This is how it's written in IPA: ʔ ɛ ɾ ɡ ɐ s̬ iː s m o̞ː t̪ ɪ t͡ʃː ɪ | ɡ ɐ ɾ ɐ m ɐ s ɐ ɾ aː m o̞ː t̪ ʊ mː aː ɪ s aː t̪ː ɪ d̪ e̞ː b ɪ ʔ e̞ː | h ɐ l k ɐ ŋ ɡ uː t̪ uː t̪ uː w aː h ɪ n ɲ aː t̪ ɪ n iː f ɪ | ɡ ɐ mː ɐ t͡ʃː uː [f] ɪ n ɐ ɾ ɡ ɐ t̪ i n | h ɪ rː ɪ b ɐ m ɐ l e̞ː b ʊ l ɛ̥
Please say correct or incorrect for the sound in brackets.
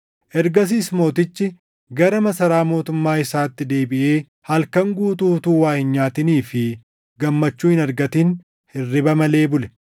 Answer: incorrect: h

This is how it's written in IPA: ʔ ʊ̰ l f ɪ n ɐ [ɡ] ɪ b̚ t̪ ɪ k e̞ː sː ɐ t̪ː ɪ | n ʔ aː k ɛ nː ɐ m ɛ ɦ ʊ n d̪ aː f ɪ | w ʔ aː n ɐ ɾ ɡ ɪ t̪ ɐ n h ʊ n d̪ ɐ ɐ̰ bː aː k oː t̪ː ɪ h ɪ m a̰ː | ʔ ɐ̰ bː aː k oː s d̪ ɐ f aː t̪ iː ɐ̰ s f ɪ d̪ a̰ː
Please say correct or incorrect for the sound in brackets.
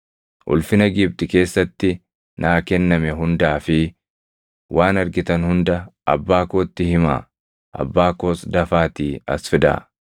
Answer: correct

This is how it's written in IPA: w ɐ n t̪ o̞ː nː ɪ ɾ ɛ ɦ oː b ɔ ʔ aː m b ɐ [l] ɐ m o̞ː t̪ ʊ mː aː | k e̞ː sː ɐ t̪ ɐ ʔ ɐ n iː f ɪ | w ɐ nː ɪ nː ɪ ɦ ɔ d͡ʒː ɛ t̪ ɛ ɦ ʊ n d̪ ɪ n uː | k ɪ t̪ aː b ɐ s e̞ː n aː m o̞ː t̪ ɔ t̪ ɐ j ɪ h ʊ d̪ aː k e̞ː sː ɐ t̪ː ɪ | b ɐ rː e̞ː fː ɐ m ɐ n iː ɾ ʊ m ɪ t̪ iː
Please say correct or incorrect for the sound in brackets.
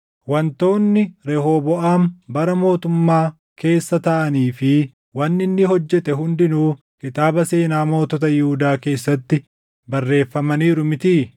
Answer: incorrect: ɾ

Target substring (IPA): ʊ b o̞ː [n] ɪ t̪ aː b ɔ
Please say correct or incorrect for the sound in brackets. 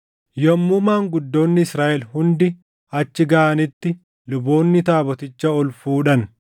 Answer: incorrect: nː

